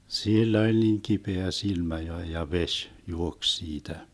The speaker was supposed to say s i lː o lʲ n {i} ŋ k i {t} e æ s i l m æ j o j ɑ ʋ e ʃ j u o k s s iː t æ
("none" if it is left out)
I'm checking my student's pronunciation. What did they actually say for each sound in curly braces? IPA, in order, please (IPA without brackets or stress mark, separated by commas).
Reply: iː, p